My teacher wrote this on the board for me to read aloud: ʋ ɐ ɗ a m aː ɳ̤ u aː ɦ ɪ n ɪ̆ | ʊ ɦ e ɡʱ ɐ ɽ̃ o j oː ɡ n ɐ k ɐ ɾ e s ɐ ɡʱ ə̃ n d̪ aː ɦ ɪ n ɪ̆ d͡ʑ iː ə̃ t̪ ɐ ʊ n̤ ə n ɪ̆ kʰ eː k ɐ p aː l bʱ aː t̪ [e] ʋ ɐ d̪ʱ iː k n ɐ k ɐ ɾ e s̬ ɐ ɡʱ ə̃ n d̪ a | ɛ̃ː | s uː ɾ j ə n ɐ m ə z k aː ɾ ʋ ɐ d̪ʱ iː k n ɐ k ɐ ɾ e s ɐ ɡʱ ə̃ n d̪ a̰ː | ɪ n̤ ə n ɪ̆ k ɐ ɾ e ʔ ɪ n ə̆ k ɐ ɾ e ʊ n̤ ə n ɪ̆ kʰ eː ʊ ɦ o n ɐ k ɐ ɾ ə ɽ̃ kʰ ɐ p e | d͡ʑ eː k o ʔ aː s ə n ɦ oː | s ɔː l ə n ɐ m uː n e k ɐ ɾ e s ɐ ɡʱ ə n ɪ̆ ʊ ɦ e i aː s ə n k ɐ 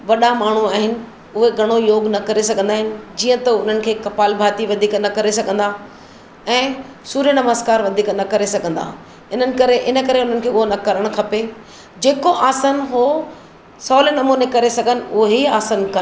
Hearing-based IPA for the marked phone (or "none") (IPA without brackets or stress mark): i